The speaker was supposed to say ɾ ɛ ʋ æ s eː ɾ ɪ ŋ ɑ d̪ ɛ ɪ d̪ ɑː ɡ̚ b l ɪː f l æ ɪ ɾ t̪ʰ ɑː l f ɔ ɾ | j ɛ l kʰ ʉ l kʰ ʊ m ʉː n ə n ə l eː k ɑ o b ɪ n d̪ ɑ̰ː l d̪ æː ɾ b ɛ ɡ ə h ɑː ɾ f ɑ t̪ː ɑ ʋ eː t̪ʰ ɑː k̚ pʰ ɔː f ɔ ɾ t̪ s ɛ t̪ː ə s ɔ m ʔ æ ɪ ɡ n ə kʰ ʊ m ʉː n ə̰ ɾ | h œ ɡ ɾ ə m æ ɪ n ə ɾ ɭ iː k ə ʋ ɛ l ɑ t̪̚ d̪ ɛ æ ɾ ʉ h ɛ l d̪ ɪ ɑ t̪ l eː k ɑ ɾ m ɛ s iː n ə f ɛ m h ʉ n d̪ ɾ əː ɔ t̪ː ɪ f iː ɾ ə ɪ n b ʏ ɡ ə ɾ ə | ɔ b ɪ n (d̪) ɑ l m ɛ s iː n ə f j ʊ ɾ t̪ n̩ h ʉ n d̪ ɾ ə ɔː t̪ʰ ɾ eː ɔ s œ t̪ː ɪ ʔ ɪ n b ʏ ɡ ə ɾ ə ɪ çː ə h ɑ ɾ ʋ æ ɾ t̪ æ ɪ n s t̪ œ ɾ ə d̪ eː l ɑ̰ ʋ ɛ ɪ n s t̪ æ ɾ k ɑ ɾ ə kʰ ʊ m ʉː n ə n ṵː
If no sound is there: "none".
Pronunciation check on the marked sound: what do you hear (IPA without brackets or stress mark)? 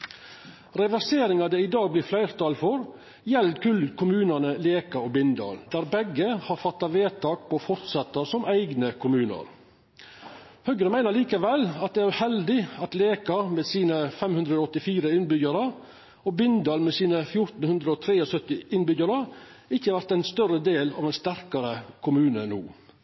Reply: d̪